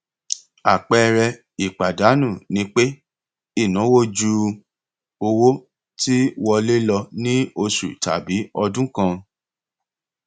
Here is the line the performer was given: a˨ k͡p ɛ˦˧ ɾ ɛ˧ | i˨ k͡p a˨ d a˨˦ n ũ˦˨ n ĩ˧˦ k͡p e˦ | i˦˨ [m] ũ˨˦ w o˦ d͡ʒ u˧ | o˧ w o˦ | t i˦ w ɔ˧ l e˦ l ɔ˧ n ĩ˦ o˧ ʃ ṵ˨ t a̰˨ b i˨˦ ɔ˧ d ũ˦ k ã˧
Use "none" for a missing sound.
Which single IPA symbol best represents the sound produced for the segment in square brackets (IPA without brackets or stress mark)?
n